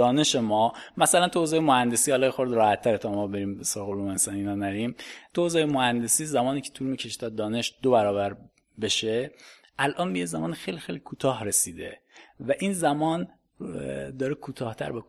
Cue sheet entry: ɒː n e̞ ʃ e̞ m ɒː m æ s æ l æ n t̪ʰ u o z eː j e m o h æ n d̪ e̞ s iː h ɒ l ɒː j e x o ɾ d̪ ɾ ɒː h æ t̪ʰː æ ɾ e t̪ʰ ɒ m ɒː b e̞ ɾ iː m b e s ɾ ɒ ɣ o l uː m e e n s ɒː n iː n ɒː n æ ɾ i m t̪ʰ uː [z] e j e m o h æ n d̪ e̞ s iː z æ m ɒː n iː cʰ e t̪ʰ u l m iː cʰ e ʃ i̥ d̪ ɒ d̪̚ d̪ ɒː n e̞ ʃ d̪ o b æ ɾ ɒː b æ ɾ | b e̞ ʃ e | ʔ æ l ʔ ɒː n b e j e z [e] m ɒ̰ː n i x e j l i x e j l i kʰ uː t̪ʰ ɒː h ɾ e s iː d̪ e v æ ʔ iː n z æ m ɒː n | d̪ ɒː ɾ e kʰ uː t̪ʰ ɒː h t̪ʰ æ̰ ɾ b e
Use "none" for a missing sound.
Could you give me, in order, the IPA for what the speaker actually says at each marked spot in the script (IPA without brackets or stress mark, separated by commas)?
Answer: z, æ